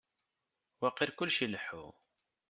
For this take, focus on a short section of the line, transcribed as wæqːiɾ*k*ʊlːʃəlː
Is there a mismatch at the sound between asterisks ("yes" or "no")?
no